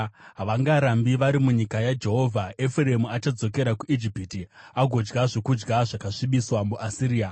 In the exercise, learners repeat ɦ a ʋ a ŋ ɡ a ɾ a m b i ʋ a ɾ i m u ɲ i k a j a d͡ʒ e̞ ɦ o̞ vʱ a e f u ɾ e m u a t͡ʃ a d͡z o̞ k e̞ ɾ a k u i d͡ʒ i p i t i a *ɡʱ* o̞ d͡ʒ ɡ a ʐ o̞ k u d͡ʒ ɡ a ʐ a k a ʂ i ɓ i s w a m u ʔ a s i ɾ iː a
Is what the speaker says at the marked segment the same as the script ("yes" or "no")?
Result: yes